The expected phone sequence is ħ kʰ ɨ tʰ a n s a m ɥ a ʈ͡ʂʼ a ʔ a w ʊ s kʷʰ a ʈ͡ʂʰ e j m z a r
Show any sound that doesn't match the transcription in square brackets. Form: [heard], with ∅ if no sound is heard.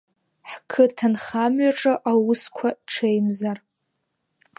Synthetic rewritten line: ħ kʰ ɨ tʰ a n [χ] a m ɥ a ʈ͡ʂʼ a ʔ a w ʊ s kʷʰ a ʈ͡ʂʰ e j m z a r